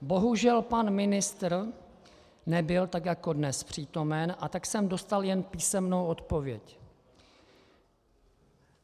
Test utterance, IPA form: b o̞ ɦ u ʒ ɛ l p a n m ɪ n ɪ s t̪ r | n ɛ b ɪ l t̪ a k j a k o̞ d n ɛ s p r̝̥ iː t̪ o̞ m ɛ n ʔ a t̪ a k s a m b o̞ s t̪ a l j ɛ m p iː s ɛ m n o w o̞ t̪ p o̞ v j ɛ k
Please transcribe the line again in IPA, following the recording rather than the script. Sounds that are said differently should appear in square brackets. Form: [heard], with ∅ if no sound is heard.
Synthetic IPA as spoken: b o̞ ɦ u ʒ ɛ l p a n m ɪ n ɪ s t̪ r | n ɛ b ɪ l t̪ a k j a k o̞ d n ɛ s p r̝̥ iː t̪ o̞ m ɛ n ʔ a t̪ a k s [ɛ] m [d] o̞ s t̪ a l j ɛ [n] p iː s ɛ m n o w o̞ t̪ p o̞ v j ɛ [c]